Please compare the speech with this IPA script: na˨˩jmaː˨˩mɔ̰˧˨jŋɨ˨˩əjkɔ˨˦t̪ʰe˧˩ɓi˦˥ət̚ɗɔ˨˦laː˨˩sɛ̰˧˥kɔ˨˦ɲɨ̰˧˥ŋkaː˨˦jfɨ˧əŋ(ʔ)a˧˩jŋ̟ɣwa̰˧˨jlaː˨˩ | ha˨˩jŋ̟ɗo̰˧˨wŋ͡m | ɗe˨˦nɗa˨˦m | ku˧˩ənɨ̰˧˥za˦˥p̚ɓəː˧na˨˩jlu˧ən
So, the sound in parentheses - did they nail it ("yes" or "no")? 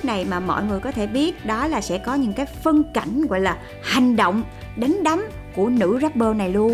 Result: no